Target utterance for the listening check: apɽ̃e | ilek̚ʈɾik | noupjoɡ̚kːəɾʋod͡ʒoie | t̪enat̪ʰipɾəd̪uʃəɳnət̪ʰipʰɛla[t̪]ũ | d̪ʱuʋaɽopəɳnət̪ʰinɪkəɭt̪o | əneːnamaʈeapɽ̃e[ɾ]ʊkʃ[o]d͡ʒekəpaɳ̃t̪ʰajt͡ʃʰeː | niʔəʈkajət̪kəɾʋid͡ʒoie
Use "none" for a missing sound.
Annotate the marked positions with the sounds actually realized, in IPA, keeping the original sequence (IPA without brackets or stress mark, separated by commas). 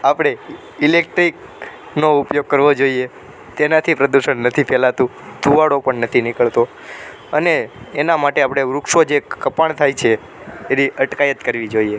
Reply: t̪, ɾ, o